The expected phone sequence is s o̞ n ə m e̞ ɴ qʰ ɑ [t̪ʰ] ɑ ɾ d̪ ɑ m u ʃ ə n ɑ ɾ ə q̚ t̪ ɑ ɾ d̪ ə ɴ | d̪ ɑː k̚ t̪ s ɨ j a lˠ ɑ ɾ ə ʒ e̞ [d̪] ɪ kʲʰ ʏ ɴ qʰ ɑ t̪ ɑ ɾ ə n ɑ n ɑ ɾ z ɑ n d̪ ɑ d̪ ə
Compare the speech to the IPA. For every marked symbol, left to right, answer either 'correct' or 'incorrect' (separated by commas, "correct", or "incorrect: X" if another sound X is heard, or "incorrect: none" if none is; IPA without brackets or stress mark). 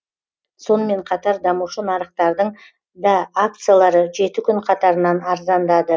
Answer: incorrect: t̪, incorrect: t̪